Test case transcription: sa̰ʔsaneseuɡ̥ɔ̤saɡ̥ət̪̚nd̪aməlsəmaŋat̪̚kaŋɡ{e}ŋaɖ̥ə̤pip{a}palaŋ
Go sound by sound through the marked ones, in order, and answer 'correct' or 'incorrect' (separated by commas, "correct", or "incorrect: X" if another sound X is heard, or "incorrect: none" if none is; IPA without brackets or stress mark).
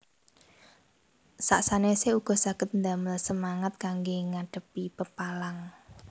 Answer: correct, incorrect: ə